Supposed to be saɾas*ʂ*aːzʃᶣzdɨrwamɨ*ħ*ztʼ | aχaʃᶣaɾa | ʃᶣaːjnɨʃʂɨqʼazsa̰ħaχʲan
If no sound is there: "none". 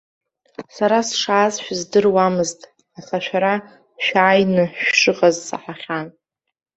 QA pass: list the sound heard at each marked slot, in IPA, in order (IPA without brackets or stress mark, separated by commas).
ʂ, none